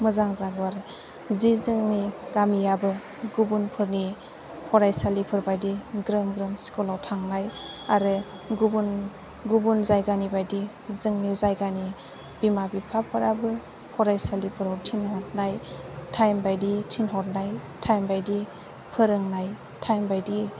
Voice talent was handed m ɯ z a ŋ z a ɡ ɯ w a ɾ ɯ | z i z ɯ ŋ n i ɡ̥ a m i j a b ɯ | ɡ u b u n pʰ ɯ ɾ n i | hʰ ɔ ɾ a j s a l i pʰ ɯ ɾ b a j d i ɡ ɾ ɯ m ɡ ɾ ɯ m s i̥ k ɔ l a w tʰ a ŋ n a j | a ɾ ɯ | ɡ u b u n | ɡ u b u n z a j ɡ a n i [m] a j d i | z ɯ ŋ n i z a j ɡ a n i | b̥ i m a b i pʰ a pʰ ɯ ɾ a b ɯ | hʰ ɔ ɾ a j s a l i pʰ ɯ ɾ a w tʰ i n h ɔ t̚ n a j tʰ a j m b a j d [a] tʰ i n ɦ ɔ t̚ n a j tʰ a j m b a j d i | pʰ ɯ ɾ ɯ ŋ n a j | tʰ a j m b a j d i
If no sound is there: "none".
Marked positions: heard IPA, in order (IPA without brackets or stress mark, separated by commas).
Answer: b, i